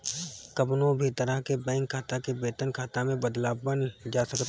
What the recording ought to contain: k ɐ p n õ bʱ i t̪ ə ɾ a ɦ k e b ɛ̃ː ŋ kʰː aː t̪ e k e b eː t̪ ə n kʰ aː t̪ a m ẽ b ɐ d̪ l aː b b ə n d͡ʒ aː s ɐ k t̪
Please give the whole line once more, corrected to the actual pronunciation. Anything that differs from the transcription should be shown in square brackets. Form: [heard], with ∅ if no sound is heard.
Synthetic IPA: k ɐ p n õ bʱ i t̪ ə ɾ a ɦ k e b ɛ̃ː ŋ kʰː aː t̪ [a] k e b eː t̪ ə n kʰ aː t̪ a m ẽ b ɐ d̪ l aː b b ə n d͡ʒ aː s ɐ k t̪